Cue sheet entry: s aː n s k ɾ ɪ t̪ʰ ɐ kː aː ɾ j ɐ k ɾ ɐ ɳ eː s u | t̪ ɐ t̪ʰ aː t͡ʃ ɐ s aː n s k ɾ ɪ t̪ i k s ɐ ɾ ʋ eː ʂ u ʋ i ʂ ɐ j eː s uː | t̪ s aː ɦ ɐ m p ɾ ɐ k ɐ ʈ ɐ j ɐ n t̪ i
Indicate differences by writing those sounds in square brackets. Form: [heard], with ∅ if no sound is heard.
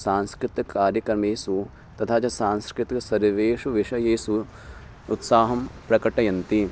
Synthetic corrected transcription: s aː n s k ɾ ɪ [t̪] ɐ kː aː ɾ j ɐ k ɾ ɐ [m] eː s u | t̪ ɐ t̪ʰ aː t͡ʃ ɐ s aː n s k ɾ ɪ t̪ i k s ɐ ɾ ʋ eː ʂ u ʋ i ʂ ɐ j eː s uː | t̪ s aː ɦ ɐ m p ɾ ɐ k ɐ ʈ ɐ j ɐ n t̪ i